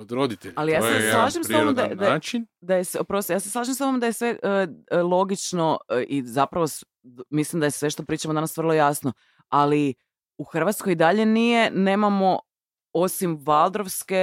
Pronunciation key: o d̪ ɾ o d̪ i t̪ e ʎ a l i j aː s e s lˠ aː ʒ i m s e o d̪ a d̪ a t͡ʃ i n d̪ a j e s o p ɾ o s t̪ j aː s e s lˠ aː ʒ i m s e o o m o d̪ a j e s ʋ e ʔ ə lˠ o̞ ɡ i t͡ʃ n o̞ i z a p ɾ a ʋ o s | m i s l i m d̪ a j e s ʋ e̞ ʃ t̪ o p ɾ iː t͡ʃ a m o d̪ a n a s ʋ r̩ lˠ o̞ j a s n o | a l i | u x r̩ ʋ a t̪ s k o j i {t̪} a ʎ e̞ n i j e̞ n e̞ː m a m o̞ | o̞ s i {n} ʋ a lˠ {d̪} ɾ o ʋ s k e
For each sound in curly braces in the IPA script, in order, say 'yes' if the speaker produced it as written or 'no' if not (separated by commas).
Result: no, no, yes